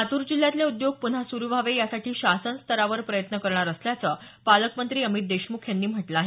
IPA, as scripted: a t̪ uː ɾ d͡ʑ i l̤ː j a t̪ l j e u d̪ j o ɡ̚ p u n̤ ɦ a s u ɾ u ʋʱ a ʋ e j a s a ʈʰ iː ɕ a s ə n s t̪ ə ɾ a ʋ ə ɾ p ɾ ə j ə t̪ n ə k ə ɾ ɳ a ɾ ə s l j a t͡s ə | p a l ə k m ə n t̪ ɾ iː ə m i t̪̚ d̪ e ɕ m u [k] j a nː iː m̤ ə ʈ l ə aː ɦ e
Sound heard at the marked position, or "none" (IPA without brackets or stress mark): kʰ